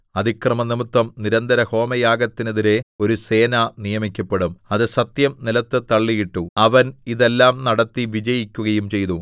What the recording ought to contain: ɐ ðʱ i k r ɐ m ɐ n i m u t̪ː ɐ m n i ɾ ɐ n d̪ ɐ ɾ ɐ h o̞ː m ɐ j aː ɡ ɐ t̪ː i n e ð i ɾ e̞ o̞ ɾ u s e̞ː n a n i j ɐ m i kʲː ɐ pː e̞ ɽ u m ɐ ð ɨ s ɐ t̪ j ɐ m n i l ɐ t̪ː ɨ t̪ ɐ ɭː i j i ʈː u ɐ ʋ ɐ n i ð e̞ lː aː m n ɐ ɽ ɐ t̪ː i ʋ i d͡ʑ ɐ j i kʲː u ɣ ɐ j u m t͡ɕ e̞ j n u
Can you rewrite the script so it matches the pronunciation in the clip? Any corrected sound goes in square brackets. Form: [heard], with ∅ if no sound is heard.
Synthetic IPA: ɐ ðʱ i k r ɐ m ɐ n i m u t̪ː ɐ m n i ɾ ɐ n d̪ ɐ ɾ ɐ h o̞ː m ɐ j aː ɡ ɐ t̪ː i n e ð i ɾ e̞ o̞ ɾ u s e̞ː n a n i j ɐ m i kʲː ɐ pː e̞ ɽ u m ɐ ð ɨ s ɐ t̪ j ɐ m n i l ɐ t̪ː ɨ t̪ ɐ ɭː i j i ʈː u ɐ ʋ ɐ n i ð e̞ lː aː m n ɐ ɽ ɐ t̪ː i ʋ i d͡ʑ ɐ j i kʲː u ɣ ɐ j u m t͡ɕ e̞ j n u